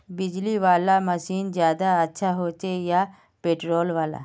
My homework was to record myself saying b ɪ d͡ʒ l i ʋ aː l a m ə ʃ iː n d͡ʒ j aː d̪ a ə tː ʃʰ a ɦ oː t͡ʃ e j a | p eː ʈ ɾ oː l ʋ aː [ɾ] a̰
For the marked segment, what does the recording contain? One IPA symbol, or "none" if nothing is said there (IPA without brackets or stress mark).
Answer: l